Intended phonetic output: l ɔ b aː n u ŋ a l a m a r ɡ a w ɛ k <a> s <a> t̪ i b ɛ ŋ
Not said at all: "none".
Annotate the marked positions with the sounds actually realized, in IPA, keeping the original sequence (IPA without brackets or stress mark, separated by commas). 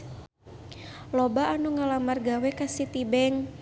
a, i